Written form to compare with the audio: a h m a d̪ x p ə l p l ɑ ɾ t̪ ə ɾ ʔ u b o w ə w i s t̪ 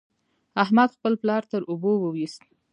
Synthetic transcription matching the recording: a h m a d̪ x p ə l p l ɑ ɾ t̪ ə ɾ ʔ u b o w ə w i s t̪